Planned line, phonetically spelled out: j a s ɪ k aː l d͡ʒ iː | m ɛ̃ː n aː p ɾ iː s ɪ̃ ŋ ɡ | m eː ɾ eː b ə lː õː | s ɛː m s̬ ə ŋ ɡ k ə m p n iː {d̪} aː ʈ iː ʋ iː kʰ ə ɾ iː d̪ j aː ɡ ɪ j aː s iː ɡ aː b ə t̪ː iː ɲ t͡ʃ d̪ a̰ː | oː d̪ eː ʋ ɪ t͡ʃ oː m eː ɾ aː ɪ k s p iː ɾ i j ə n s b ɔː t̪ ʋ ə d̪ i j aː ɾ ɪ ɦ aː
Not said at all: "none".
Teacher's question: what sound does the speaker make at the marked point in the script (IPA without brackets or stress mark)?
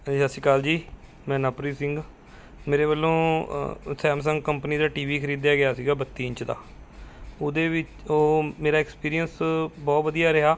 d̪